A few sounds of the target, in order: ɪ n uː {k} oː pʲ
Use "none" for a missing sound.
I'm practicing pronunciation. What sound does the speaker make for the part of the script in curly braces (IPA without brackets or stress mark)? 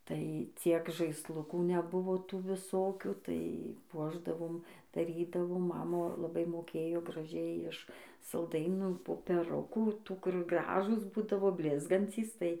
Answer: p